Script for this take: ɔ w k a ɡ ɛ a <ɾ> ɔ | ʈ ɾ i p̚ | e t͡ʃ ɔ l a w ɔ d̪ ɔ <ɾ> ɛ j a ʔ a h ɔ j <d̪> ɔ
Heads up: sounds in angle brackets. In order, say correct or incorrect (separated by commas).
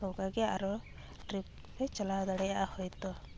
correct, incorrect, incorrect